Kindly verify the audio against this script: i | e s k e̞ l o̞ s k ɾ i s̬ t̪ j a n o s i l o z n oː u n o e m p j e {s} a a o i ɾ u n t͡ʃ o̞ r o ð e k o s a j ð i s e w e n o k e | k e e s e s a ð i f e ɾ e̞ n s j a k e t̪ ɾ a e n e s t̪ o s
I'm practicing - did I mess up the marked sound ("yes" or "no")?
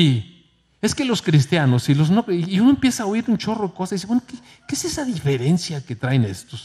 no